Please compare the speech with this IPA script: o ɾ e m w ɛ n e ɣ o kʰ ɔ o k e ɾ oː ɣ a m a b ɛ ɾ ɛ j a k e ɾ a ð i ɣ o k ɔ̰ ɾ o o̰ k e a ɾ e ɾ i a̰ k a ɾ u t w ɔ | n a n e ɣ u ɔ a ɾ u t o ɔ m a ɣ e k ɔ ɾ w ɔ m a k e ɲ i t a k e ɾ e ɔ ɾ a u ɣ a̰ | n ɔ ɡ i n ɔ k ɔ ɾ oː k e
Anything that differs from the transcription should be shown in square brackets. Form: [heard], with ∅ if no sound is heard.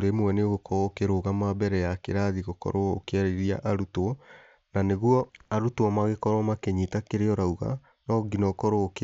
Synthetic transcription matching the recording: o ɾ e m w ɛ n e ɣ o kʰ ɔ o k e ɾ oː ɣ a m a b ɛ ɾ ɛ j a k e ɾ a ð i ɣ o k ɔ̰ ɾ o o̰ k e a ɾ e ɾ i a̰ [ʔ] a ɾ u t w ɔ | n a n e ɣ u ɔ a ɾ u t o ɔ m a ɣ e k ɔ ɾ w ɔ m a k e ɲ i t a k e ɾ e ɔ ɾ a u ɣ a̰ | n ɔ ɡ i n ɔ k ɔ ɾ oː k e